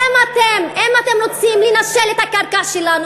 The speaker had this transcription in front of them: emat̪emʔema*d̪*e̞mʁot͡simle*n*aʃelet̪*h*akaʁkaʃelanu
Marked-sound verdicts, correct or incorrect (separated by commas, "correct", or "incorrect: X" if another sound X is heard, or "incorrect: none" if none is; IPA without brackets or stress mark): incorrect: t̪, correct, correct